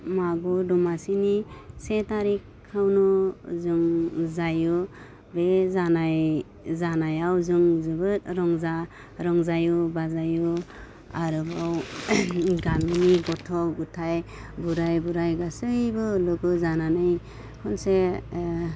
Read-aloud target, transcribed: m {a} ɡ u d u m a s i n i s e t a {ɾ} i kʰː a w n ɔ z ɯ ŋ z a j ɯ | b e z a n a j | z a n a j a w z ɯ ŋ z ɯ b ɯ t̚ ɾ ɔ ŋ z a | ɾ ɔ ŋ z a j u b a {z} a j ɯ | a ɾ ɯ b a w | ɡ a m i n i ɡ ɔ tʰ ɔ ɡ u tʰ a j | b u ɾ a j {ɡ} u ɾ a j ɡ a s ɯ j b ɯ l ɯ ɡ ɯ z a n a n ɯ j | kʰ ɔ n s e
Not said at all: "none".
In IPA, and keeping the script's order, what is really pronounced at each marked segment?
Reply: a, ɾ, z, b

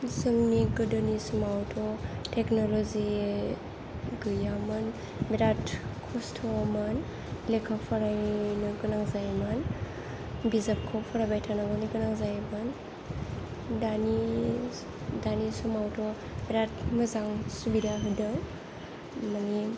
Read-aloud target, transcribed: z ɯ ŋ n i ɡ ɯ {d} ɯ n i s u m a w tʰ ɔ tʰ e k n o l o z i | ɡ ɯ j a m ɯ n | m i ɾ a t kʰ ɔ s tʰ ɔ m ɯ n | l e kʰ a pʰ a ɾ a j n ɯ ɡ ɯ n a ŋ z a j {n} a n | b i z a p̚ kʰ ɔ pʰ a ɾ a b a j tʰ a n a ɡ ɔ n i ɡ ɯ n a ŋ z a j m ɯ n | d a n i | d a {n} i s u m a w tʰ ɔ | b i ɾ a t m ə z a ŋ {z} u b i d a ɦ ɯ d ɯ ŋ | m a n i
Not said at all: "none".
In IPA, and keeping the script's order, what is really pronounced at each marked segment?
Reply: d, m, n, s

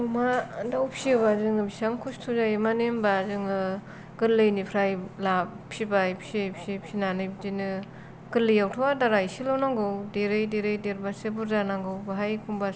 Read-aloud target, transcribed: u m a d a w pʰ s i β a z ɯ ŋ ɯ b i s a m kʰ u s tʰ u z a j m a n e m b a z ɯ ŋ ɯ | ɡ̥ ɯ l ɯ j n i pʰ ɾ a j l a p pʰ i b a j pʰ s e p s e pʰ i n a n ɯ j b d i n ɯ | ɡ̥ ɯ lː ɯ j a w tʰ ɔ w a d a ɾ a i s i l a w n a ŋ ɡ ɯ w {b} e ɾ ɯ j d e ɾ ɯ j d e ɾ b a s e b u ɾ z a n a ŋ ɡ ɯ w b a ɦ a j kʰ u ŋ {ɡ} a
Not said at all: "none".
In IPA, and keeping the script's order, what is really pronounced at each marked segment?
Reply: d, b

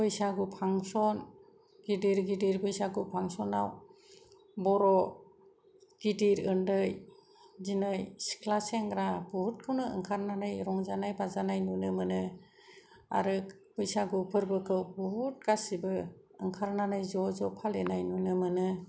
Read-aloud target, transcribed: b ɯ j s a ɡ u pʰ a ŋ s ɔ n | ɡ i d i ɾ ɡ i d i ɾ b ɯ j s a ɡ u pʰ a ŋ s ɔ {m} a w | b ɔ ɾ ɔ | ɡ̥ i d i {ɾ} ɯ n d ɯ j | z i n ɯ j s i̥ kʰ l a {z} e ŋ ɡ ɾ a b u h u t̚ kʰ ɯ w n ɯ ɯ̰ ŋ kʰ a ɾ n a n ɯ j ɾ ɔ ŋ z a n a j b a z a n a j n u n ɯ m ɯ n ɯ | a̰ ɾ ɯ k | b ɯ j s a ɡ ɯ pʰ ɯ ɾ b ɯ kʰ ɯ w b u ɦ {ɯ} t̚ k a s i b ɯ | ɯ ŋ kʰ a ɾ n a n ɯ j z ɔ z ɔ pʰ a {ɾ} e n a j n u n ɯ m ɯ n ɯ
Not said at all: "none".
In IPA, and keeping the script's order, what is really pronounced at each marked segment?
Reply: n, ɾ, s, u, l

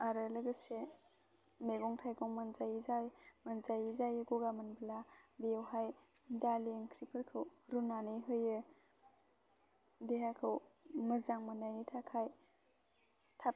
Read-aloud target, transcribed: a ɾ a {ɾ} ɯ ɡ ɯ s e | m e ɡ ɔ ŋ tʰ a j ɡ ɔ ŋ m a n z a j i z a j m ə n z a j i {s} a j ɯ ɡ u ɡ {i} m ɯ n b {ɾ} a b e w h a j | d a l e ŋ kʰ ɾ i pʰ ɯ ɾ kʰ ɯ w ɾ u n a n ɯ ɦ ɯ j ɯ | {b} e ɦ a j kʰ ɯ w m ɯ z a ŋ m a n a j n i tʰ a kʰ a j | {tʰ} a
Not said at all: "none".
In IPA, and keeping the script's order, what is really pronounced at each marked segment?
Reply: l, z, a, l, d, tʰ

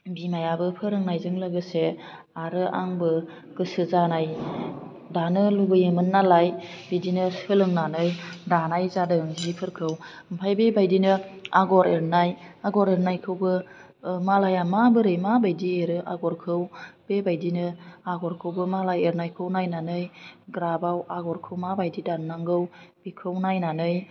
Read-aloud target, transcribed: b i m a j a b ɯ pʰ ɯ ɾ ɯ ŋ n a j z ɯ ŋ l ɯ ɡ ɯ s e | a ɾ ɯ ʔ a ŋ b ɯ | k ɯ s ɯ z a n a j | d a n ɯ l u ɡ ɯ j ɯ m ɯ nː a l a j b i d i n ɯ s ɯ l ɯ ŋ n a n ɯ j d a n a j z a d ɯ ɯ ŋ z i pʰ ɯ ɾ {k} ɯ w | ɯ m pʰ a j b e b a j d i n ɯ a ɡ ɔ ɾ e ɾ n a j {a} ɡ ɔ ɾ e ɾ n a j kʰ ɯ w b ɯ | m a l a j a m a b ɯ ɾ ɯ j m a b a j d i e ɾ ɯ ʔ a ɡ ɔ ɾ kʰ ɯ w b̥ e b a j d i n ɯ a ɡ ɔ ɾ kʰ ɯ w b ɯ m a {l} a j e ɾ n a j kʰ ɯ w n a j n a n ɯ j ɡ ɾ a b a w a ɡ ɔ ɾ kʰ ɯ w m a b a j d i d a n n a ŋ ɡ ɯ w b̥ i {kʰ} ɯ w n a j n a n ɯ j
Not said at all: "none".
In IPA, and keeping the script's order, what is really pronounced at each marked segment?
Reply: kʰ, a, l, kʰ

